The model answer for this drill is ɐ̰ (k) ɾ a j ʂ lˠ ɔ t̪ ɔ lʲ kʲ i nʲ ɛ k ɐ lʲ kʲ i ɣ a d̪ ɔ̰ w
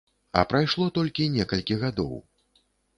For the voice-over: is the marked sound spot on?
no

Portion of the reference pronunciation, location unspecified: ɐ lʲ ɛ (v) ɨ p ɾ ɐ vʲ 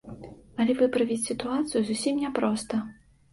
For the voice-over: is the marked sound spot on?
yes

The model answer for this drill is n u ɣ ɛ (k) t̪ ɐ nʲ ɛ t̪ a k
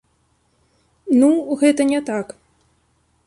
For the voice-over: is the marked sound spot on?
no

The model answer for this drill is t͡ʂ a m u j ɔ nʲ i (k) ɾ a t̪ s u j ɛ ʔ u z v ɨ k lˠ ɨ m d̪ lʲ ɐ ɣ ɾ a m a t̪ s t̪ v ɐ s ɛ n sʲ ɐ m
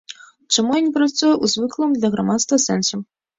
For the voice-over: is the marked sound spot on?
no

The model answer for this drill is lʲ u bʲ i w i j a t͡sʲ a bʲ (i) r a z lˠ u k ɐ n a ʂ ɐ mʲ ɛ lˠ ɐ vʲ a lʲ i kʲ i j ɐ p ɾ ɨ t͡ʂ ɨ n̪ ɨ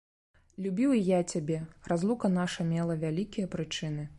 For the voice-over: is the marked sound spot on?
no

